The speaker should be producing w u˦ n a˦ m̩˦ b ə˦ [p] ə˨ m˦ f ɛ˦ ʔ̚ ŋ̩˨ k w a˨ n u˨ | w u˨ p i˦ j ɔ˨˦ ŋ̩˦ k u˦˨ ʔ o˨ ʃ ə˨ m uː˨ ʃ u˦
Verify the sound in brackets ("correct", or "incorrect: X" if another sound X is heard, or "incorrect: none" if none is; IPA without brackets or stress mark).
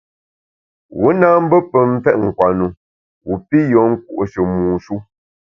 correct